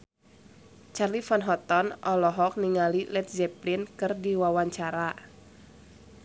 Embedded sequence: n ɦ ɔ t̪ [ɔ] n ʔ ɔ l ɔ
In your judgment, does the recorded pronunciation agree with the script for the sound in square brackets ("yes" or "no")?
yes